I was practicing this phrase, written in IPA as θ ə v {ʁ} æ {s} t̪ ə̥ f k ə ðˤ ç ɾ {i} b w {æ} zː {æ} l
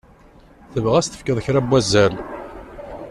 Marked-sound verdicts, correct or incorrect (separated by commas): correct, correct, incorrect, correct, correct